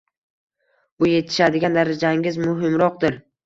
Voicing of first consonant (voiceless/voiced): voiced